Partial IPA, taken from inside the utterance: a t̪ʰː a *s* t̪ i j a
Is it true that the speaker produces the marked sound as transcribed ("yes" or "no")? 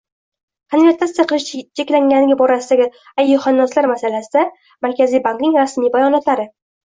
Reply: yes